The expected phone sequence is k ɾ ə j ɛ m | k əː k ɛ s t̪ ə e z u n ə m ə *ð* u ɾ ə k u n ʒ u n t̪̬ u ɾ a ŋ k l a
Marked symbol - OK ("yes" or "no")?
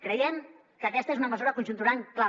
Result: no